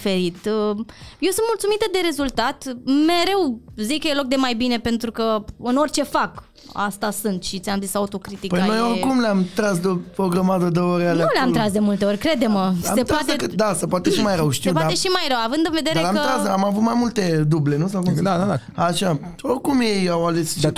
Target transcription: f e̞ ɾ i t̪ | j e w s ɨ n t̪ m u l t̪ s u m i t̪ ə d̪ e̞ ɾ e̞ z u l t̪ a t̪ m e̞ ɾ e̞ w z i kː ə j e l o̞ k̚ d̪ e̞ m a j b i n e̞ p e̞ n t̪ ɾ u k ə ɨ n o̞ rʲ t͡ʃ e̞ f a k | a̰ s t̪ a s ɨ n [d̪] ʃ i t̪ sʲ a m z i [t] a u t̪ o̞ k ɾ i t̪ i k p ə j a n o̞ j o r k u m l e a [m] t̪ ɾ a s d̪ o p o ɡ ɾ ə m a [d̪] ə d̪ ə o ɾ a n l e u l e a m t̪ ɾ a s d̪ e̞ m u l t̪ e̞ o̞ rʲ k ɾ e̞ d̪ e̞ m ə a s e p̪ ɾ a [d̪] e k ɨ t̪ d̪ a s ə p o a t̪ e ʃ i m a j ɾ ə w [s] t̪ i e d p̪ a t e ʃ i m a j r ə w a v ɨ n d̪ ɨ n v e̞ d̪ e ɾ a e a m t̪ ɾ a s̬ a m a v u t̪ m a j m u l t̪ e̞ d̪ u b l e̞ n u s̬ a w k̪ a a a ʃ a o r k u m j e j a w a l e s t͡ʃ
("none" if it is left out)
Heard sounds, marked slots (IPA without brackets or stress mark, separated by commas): t̪, s, m, d̪, t̪, ʃ